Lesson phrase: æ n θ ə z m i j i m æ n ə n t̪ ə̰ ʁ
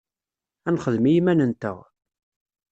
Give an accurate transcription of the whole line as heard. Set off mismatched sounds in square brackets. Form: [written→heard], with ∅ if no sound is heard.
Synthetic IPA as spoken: æ n [θ→χ] ə [z→ð] m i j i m æ n ə n t̪ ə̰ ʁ